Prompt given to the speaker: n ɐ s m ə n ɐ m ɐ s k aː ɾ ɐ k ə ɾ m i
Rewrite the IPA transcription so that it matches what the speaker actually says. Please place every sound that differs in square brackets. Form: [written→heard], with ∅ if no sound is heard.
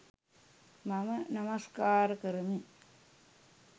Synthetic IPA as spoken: [n→m] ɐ [s→∅] m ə n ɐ m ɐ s k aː ɾ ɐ k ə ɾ m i